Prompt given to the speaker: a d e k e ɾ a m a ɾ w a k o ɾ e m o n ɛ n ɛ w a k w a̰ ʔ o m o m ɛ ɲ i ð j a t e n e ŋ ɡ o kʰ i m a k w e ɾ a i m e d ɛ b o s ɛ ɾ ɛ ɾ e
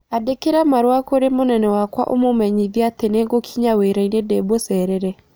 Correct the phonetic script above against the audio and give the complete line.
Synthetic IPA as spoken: a d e k e ɾ a m a ɾ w a k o ɾ e m o n ɛ n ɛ w a k w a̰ ʔ o m o m ɛ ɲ i ð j a t e n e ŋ ɡ o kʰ i ɲ a w e ɾ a i n e d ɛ b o s ɛ ɾ ɛ ɾ ɛ